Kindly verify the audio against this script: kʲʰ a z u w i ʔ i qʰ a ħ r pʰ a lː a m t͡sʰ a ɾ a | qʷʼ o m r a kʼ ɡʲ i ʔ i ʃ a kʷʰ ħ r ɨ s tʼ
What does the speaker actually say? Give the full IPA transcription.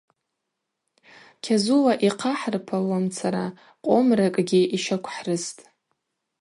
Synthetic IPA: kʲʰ a z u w a ʔ i qʰ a ħ r pʰ a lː a m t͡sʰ a ɾ a | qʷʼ o m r a kʼ ɡʲ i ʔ i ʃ a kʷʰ ħ r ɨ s tʼ